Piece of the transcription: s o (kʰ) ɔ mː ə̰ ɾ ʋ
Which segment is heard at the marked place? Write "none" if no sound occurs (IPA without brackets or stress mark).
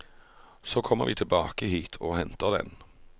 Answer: kʰ